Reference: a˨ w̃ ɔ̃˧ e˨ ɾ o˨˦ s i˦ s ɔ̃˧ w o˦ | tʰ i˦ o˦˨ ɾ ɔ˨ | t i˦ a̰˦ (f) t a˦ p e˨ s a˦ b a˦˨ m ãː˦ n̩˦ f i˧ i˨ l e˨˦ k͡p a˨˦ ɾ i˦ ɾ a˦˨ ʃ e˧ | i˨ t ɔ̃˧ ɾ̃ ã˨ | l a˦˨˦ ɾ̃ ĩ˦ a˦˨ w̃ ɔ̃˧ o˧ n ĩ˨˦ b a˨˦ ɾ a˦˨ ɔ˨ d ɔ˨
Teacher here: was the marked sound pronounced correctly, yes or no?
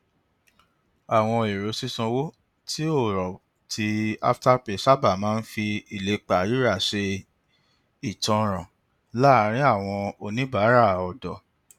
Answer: yes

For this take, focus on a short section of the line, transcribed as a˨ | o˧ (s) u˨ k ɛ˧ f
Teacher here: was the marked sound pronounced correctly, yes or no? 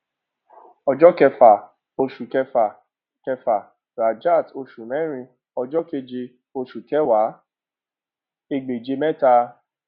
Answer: no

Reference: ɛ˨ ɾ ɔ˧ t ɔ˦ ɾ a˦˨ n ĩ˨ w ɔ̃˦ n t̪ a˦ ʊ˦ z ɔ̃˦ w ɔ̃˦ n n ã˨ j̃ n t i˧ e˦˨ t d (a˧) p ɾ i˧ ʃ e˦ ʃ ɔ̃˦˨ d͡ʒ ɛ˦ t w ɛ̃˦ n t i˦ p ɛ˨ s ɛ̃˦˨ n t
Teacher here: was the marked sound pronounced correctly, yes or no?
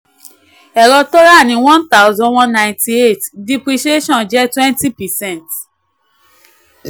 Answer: no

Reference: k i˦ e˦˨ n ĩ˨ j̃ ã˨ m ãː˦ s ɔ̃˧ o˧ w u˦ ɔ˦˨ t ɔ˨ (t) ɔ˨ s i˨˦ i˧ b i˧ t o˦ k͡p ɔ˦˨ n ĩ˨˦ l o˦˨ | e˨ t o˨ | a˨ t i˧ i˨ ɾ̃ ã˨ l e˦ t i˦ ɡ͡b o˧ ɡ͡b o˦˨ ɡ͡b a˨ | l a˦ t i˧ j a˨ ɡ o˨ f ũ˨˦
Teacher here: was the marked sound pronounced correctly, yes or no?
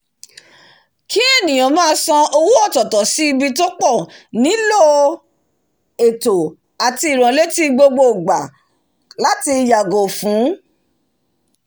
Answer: yes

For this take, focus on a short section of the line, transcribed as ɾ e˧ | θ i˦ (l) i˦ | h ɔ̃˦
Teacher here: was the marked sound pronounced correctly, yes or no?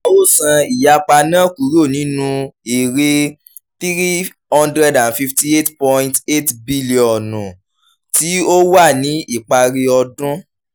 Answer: no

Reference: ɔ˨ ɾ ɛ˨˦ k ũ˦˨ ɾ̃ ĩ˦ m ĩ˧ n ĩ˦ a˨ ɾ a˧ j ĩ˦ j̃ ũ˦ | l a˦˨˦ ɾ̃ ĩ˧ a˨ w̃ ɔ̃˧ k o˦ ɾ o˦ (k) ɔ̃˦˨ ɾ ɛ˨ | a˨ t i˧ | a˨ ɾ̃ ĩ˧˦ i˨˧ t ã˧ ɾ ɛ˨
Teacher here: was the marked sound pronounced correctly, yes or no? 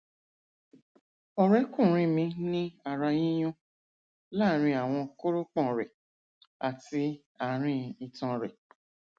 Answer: no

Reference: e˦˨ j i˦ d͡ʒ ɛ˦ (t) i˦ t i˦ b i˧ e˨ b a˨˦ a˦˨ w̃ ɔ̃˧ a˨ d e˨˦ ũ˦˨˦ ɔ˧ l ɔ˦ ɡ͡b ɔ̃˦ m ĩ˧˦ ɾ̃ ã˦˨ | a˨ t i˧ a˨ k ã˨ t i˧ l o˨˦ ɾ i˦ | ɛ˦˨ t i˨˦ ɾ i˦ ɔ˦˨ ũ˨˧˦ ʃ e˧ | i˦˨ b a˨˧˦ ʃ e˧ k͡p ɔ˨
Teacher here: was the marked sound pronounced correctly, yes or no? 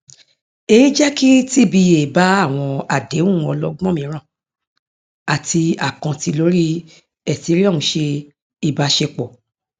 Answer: no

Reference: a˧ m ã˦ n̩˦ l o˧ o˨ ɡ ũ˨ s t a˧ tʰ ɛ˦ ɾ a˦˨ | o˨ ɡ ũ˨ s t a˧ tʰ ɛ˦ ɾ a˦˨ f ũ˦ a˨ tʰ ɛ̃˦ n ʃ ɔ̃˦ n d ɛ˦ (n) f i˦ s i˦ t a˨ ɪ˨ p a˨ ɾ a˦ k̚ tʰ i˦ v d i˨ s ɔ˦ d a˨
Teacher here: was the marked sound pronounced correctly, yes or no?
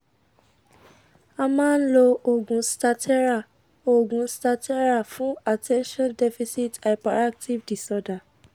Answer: no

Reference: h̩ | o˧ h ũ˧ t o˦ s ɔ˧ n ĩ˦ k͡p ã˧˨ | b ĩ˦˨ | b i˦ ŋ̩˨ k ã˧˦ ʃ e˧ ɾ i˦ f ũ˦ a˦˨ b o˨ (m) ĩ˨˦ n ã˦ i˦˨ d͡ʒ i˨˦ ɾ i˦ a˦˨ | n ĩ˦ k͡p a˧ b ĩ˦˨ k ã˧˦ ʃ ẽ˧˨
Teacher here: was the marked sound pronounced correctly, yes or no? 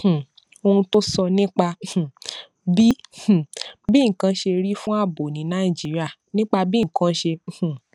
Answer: no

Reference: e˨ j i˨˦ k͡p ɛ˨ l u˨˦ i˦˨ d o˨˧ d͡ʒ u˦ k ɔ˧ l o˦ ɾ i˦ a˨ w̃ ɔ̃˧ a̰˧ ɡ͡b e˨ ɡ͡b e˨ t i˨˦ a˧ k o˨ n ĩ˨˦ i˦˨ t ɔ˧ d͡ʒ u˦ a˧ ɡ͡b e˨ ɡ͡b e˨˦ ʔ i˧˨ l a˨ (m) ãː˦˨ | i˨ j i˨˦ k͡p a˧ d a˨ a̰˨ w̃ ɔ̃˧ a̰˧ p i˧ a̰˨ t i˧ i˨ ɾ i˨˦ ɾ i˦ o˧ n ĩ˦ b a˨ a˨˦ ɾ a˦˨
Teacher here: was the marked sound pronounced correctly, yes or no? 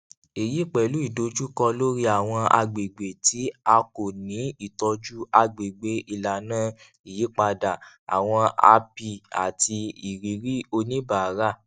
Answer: no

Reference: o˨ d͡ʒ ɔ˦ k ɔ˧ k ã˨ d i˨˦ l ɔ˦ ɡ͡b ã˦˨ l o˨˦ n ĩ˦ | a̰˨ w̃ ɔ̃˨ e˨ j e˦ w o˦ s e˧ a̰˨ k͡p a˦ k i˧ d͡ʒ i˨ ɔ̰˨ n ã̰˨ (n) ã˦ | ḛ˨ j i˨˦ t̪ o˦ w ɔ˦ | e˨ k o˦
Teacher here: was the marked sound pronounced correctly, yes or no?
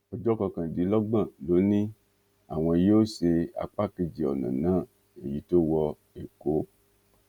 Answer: yes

